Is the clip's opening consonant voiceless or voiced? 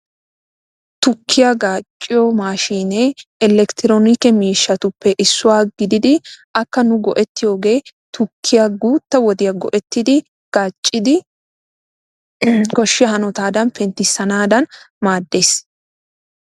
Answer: voiceless